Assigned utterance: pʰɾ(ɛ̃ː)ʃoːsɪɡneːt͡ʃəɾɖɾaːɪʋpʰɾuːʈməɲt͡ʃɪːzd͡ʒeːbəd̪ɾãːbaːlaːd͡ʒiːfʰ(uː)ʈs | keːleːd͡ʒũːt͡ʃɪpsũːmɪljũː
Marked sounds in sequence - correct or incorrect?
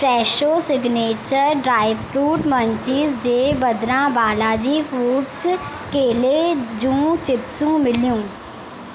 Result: incorrect, correct

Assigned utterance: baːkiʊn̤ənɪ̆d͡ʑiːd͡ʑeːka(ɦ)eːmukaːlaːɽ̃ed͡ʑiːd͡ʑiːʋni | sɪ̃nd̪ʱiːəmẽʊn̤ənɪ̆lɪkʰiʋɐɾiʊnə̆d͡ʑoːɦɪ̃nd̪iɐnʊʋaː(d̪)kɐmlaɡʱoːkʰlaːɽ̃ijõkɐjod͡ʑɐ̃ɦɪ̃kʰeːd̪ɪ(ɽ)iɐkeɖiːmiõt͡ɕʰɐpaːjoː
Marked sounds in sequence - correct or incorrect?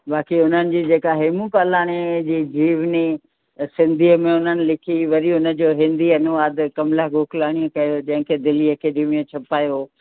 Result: correct, correct, incorrect

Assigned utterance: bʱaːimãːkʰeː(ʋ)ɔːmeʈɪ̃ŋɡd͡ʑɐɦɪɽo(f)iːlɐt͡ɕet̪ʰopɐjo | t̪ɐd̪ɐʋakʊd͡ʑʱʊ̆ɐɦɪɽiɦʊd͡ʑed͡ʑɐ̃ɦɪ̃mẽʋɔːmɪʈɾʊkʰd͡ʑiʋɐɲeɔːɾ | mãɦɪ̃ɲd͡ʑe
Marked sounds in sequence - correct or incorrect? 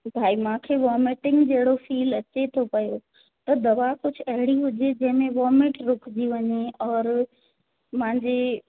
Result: correct, correct

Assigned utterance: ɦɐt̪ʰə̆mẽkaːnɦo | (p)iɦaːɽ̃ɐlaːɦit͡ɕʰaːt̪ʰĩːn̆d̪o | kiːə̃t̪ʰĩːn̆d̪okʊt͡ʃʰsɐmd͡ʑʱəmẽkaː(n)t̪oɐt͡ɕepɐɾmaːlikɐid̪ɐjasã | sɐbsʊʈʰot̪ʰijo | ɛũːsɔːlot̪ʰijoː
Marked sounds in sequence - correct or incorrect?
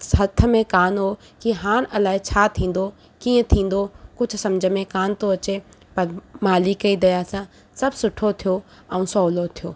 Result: incorrect, correct

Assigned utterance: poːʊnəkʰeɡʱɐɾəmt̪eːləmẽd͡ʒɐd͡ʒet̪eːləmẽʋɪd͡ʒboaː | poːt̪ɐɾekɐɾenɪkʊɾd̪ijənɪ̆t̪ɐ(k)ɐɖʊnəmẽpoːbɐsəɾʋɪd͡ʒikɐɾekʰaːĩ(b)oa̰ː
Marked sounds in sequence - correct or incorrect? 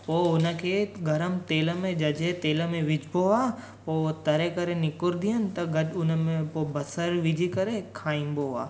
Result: incorrect, correct

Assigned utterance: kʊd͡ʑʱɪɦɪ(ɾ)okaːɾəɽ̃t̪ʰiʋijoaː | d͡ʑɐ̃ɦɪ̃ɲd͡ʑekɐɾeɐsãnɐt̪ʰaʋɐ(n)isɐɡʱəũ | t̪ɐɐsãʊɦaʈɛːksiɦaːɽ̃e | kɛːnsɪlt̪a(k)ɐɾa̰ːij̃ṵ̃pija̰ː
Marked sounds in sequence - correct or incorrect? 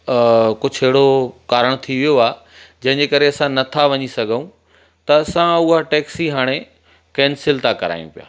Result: incorrect, incorrect, correct

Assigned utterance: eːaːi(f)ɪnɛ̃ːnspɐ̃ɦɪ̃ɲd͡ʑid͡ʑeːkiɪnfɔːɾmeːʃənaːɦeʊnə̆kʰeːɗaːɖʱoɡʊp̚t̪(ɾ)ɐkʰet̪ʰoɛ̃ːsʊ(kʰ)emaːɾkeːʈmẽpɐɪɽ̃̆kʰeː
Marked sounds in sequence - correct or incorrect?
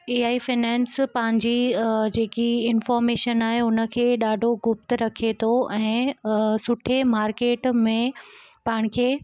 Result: correct, correct, incorrect

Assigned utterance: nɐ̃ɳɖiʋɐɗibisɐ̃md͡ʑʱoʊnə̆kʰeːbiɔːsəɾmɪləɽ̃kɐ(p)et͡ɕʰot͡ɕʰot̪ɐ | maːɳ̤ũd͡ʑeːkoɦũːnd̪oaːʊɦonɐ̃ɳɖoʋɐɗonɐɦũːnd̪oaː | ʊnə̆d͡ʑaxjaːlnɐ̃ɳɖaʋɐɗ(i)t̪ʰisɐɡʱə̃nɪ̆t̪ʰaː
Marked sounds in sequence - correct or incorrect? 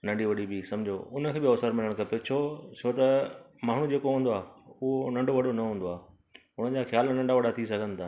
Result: correct, incorrect

